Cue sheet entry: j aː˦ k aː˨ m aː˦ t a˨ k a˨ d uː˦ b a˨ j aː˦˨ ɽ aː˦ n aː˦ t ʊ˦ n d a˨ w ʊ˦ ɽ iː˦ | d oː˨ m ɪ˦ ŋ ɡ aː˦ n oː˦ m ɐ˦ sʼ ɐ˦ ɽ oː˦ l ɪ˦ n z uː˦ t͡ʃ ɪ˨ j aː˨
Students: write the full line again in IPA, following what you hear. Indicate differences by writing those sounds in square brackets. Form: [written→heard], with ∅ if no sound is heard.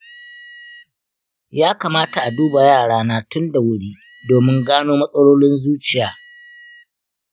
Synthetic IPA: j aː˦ k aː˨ m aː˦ t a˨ [k→ʔ] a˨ d uː˦ b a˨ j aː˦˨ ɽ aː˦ n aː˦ t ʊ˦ n d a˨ w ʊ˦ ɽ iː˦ | d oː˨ m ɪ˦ ŋ ɡ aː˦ n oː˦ m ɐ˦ sʼ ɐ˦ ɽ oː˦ l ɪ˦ n z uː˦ t͡ʃ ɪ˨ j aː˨